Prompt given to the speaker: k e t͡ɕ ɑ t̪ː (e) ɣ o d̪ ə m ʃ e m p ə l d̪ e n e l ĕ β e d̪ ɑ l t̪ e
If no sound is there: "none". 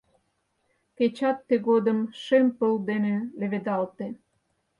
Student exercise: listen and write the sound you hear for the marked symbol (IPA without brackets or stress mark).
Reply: e